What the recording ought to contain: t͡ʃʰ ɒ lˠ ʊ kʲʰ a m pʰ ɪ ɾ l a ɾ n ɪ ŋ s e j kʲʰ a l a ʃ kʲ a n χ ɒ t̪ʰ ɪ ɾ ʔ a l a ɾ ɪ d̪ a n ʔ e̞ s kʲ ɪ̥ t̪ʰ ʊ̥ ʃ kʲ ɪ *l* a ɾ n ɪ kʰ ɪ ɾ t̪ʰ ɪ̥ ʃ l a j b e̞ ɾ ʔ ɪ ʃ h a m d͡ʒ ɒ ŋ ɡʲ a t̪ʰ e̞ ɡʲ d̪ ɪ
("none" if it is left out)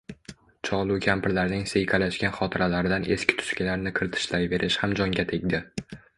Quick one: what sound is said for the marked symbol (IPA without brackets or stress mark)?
l